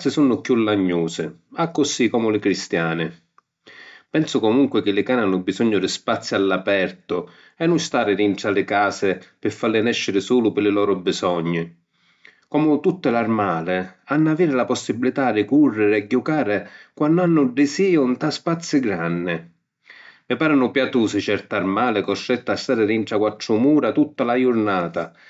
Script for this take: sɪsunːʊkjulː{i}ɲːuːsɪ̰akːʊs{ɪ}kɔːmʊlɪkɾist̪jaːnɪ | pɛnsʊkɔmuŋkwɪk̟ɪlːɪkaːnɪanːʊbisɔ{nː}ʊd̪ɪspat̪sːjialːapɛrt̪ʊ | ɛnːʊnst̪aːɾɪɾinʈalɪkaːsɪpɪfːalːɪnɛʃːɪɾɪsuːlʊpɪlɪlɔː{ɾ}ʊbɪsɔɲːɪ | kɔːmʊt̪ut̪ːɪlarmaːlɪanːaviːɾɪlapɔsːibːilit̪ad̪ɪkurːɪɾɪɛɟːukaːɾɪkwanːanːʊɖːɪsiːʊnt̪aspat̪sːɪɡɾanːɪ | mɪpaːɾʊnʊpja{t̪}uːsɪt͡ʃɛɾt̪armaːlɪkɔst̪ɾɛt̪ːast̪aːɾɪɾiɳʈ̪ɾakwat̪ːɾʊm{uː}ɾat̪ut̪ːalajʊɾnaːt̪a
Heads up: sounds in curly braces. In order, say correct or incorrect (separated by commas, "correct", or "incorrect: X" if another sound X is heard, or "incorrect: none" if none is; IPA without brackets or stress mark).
incorrect: a, incorrect: i, incorrect: ɲː, correct, correct, correct